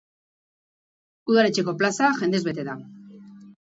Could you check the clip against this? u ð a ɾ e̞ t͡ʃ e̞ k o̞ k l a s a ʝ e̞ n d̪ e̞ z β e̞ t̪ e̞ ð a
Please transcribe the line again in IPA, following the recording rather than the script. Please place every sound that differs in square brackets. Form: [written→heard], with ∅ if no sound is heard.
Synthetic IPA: u ð a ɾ e̞ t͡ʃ e̞ k o̞ [k→p] l a s a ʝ e̞ n d̪ e̞ z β e̞ t̪ e̞ ð a